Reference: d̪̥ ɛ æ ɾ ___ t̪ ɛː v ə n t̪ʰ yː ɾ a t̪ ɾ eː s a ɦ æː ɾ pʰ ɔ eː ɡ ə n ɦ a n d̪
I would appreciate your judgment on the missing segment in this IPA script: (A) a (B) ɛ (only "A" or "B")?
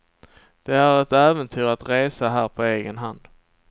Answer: B